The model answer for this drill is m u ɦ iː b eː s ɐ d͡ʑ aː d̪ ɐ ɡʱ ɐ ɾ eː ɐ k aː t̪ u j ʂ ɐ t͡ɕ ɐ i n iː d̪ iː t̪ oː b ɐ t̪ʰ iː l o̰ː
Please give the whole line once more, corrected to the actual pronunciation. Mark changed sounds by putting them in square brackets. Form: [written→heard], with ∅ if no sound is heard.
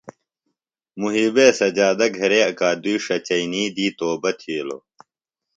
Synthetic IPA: m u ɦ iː b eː s ɐ d͡ʑ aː d̪ ɐ ɡʱ ɐ ɾ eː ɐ k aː [t̪→d̪] u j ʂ ɐ t͡ɕ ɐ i n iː d̪ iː t̪ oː b ɐ t̪ʰ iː l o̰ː